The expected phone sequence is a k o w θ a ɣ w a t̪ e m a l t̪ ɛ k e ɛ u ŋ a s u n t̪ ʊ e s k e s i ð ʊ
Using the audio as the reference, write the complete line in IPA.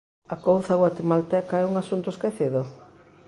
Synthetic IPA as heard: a k o w θ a ɣ w a t̪ e m a l t̪ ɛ k a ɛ u ŋ a s u n t̪ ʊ e s k e θ i ð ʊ